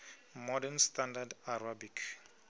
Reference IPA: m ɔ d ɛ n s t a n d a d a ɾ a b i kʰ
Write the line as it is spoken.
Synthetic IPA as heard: m ɔ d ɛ n s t a n d a d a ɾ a b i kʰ